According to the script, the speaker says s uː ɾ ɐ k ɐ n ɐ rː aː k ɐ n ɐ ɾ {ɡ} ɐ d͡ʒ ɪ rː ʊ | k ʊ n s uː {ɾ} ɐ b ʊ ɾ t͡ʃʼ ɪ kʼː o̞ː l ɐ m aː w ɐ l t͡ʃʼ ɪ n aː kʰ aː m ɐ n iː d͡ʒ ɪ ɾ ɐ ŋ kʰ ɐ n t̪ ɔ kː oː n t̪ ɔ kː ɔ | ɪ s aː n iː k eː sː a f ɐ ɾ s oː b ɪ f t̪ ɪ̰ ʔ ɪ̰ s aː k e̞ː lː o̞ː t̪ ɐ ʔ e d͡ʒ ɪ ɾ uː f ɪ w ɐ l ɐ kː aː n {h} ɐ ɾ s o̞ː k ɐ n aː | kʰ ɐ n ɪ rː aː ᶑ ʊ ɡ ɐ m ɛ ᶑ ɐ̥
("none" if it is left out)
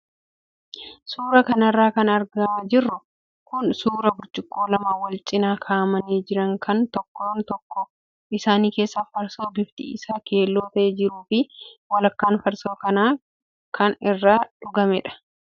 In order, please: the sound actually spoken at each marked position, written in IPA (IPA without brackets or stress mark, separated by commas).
ɡ, ɾ, f